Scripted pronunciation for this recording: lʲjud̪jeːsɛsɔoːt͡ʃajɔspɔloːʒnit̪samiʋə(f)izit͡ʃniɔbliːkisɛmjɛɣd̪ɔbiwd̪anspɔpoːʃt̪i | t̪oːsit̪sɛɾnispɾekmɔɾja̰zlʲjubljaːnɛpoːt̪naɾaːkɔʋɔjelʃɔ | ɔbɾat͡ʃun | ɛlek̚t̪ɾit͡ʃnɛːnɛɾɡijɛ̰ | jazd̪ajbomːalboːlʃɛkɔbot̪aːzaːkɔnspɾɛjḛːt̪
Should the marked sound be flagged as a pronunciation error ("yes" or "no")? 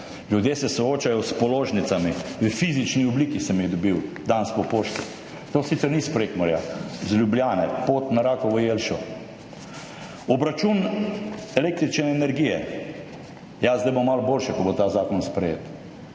no